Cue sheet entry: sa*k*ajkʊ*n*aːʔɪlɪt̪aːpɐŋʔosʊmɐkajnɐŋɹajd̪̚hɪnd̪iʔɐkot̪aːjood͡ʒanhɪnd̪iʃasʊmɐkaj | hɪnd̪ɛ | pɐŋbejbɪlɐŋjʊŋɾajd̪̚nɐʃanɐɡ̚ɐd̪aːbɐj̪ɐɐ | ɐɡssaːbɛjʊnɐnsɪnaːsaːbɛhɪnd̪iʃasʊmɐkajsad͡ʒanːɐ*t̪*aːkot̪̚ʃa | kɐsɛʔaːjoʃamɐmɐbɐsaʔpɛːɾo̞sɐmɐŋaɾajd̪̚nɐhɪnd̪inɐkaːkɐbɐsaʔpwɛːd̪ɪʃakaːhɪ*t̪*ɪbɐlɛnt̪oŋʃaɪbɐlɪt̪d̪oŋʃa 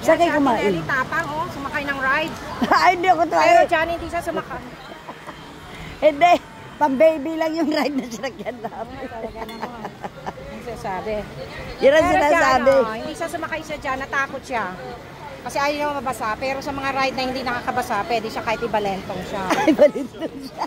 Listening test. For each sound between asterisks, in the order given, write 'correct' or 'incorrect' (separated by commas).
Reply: correct, incorrect, correct, correct